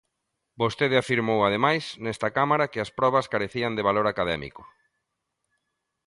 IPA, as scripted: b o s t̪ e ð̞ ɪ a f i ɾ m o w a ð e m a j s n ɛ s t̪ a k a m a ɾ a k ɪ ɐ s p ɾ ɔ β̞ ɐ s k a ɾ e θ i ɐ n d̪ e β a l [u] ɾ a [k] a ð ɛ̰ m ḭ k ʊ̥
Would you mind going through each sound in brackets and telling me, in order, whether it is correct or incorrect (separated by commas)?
incorrect, correct